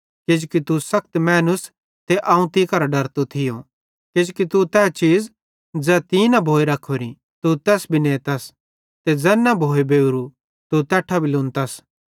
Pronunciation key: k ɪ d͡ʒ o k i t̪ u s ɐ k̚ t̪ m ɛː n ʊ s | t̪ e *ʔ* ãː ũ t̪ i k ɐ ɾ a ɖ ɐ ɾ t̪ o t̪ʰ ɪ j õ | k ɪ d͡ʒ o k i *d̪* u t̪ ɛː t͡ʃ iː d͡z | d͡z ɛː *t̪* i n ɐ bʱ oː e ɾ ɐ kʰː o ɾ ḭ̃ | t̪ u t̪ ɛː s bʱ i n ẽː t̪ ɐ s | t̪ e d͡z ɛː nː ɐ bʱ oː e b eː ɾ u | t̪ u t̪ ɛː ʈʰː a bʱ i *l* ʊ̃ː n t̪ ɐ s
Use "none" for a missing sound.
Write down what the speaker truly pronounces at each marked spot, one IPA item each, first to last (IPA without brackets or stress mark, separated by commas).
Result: ʔ, t̪, t̪, l